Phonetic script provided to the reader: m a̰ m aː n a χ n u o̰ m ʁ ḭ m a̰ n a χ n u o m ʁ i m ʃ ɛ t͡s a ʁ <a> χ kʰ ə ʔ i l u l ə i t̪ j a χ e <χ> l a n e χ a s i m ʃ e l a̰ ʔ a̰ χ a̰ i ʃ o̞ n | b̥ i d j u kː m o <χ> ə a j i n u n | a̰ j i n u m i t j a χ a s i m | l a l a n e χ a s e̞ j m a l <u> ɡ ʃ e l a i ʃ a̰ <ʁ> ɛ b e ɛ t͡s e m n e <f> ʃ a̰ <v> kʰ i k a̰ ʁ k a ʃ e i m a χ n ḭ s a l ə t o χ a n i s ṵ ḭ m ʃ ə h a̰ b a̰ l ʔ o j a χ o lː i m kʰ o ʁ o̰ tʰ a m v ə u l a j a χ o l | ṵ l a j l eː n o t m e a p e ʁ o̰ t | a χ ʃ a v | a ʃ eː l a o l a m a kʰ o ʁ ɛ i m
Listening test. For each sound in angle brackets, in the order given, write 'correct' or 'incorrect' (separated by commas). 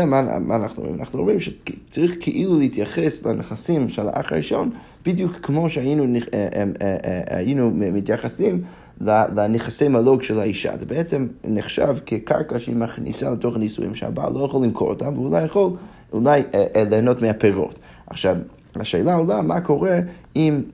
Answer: incorrect, incorrect, incorrect, incorrect, incorrect, incorrect, correct